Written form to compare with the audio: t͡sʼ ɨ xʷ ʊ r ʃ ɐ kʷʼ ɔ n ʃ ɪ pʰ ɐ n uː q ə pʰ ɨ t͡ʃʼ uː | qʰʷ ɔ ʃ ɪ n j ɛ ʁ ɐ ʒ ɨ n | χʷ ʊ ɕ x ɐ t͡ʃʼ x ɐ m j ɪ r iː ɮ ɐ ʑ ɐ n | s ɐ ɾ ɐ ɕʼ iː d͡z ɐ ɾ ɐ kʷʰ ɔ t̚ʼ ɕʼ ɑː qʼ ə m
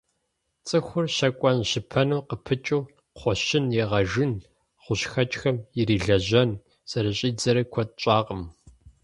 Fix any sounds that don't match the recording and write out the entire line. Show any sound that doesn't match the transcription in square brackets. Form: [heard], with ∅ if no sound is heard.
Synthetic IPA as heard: t͡sʼ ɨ xʷ ʊ r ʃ ɐ kʷʼ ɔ n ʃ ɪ pʰ ɐ n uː q ə pʰ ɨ t͡ʃʼ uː | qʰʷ ɔ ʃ ɪ n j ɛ ʁ ɐ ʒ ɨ n | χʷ ʊ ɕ x ɐ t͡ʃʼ x ɐ m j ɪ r iː ɮ ɐ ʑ ɐ n | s ɐ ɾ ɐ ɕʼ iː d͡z ɐ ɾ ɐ kʷʰ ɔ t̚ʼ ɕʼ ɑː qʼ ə m